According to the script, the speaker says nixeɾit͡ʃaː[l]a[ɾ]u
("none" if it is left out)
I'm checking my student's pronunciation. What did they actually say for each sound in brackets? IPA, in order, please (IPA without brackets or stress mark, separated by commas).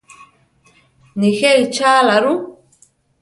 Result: l, ɾ